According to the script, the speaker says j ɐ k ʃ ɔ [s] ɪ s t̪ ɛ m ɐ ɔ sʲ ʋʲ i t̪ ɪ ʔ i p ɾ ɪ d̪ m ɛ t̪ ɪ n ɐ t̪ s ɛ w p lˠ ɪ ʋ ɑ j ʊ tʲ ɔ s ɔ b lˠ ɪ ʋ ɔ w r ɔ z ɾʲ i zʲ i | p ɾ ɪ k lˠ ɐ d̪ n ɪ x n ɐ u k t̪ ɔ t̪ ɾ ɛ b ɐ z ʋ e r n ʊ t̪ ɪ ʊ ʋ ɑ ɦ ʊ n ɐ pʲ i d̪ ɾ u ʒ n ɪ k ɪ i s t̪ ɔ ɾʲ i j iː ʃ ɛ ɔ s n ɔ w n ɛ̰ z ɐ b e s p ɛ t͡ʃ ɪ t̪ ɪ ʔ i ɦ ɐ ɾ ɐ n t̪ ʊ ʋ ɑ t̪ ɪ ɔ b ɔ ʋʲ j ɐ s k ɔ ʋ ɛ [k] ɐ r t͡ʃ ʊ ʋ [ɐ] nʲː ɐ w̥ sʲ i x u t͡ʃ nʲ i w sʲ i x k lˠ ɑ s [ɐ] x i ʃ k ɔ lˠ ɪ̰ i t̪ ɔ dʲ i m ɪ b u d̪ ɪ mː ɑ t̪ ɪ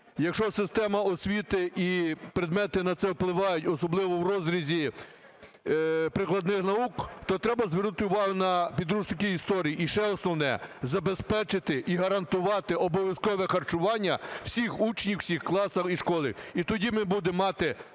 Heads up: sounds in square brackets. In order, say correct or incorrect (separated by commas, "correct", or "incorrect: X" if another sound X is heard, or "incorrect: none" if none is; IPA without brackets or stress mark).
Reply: correct, incorrect: x, incorrect: ɑ, correct